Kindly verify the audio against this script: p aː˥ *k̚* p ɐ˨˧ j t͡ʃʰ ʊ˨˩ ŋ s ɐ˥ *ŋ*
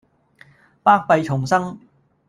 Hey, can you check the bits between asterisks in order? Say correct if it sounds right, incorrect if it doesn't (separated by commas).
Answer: correct, correct